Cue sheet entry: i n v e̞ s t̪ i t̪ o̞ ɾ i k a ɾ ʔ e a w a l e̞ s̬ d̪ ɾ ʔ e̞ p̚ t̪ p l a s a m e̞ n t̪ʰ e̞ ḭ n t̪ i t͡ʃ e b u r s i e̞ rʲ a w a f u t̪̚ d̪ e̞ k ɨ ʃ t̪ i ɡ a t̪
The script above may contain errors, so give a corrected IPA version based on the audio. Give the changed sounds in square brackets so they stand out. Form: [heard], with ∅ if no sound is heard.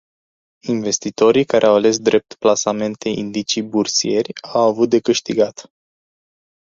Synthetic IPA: i n v e̞ s t̪ i t̪ o̞ ɾ i k a ɾ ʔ e a w a l e̞ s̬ d̪ ɾ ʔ e̞ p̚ t̪ p l a s a m e̞ n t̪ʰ e̞ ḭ n [d̪] i t͡ʃ [i] b u r s i e̞ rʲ a w a [v] u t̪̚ d̪ e̞ k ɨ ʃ t̪ i ɡ a t̪

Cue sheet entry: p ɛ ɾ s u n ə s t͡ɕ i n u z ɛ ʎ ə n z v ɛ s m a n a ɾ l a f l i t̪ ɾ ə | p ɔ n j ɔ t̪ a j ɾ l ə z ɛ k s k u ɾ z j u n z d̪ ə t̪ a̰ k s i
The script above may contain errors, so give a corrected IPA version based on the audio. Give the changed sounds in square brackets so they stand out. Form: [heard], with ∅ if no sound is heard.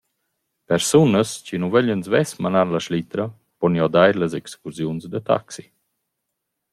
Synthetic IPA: p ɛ ɾ s u n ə s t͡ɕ i n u [v] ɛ ʎ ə n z v ɛ s m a n a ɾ l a [ʃ] l i t̪ ɾ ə | p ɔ n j ɔ [d̪] a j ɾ l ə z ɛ k s k u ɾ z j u n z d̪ ə t̪ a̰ k s i

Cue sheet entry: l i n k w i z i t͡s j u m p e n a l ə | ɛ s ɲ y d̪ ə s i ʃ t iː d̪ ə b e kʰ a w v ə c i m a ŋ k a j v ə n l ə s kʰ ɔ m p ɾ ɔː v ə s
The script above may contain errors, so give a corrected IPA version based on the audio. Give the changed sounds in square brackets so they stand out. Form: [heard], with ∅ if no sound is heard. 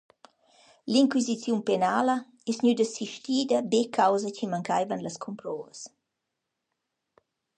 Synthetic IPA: l i [ŋ] k w i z i t͡s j u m p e n a l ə | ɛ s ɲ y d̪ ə s i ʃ t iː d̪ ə b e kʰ a w [z] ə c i m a ŋ k a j v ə n l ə s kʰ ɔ m p ɾ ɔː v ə s

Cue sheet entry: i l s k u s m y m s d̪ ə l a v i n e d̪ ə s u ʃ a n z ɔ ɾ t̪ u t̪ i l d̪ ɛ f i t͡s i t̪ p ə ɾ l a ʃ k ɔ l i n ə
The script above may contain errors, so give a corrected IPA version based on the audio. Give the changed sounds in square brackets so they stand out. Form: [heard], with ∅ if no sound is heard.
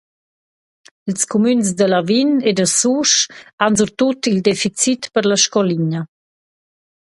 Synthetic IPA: i l s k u [∅] m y [n] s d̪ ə l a v i n e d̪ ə s u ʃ a n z [u] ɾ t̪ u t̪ i l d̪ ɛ f i t͡s i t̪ p ə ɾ l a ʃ k ɔ l i [ɲ] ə

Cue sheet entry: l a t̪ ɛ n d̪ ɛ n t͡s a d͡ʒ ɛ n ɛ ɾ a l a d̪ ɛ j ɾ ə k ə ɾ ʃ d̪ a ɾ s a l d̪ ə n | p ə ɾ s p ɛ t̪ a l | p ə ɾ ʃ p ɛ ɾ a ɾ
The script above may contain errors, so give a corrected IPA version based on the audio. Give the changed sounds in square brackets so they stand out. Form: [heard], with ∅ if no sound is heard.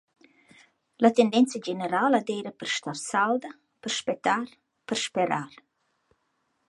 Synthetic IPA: l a t̪ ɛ n d̪ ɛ n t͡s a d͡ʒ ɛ n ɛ ɾ a l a d̪ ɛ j ɾ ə [p] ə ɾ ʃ [t̪] a ɾ s a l d̪ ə [∅] | p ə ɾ [ʃ] p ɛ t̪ a [ɾ] | p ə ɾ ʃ p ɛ ɾ a ɾ

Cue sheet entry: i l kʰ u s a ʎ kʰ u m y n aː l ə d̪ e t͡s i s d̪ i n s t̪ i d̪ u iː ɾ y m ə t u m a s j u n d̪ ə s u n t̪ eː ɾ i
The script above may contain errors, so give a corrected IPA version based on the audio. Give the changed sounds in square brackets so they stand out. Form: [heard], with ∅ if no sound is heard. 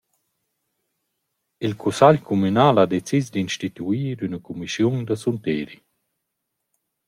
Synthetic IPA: i l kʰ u s a ʎ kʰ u m y n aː l [a] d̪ e t͡s i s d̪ i n [ʃ] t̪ i [t̪] u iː ɾ y [n] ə [k] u m [i] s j u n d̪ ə s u n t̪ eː ɾ i

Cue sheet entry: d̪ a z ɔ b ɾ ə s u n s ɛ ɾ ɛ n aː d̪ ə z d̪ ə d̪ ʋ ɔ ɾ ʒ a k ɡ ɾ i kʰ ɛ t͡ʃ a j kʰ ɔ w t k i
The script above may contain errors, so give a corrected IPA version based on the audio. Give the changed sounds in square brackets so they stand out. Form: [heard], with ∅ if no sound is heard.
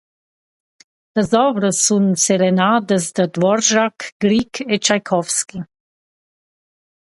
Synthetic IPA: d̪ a z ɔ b ɾ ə s u n s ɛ ɾ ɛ n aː d̪ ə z d̪ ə d̪ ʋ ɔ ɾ ʒ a k ɡ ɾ i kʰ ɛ t͡ʃ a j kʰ ɔ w [s] k i

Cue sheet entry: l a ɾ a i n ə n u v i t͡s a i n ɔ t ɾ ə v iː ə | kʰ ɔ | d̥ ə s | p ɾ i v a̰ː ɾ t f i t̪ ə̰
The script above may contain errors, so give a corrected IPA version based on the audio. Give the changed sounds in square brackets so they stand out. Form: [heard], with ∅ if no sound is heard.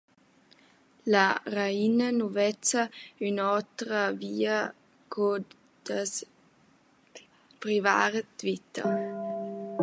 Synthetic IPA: l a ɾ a i n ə n u v [ɛ] t͡s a [y] n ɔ t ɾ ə v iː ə | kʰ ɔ | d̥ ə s | p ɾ i v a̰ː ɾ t [v] i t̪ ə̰

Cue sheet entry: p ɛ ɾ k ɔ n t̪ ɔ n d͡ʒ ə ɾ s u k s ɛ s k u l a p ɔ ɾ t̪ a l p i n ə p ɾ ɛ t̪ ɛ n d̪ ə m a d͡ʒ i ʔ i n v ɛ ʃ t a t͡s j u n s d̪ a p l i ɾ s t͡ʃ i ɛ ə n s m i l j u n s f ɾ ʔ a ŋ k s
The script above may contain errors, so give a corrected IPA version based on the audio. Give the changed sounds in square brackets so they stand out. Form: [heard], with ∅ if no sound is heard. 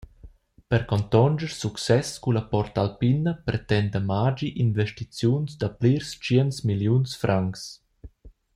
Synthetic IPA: p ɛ ɾ k ɔ n t̪ ɔ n d͡ʒ ə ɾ s u k s ɛ s k u l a p ɔ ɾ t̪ a l p i n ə p ɾ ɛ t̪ ɛ n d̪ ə m a d͡ʒ i ʔ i n v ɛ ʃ t [i] t͡s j u n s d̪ a p l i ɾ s t͡ʃ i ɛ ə n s m i l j u n s f ɾ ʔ a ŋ k s

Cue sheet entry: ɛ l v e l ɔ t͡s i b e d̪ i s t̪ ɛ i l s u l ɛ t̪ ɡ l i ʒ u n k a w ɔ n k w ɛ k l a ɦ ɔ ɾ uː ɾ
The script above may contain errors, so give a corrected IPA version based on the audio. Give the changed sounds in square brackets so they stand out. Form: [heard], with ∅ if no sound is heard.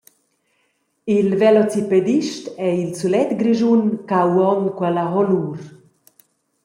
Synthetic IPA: [i] l v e l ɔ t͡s i [p] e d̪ i [ʃ] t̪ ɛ i l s u l ɛ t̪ ɡ [ɾ] i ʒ u n k a w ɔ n k w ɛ [∅] l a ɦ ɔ [l] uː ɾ

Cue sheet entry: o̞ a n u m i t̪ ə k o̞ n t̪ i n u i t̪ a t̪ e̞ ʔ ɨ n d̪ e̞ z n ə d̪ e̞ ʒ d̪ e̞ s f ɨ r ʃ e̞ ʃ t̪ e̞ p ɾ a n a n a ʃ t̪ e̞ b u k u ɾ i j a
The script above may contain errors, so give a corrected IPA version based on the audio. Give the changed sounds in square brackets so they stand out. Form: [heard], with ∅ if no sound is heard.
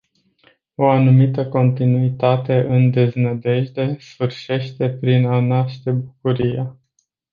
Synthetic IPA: o̞ a n u m i t̪ ə k o̞ n t̪ i n u i t̪ a t̪ e̞ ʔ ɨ n d̪ e̞ z n ə d̪ e̞ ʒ d̪ e̞ s f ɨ r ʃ e̞ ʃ t̪ e̞ p ɾ [i] n a n a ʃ t̪ e̞ b u k u ɾ i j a

